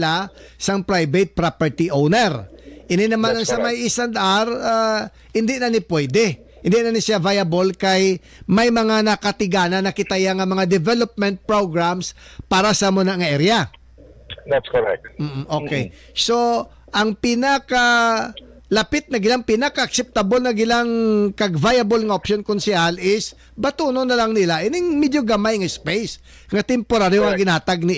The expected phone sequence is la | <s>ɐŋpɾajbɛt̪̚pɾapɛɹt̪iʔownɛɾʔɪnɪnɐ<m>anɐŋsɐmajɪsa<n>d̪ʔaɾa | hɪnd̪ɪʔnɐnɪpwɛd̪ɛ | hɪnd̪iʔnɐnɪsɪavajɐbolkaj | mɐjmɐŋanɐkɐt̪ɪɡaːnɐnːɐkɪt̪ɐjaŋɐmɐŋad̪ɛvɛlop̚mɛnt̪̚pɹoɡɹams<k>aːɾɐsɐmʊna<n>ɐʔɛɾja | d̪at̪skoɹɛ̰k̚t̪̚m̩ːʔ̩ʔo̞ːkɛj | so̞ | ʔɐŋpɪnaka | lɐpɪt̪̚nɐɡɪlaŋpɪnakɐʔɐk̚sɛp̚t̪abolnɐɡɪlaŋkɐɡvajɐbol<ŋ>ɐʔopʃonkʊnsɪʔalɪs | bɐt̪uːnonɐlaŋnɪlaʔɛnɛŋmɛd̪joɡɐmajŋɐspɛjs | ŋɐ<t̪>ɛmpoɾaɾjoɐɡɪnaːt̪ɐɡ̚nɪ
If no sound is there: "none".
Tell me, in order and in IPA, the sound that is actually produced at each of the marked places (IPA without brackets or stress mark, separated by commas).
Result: s, m, n, p, ŋ, ŋ, t̪